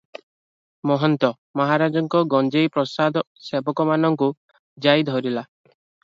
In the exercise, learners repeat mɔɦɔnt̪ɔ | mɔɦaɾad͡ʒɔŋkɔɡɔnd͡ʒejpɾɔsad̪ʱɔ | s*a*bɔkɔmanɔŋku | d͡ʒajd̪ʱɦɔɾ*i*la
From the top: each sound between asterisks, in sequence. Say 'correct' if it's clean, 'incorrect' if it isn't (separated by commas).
incorrect, correct